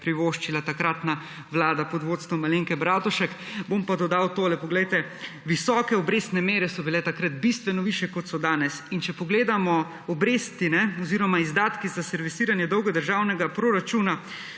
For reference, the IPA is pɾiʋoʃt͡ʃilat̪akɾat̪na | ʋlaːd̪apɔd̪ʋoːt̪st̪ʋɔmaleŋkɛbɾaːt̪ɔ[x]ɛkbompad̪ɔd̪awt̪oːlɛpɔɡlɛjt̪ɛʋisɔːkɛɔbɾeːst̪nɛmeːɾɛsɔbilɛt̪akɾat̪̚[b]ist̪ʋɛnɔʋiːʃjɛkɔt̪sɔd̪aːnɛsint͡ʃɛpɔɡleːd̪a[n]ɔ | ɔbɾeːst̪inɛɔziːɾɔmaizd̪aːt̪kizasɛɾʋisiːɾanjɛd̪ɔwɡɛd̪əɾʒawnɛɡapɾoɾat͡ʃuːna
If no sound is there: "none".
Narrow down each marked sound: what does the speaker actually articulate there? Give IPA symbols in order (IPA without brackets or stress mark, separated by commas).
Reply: ʃ, b, m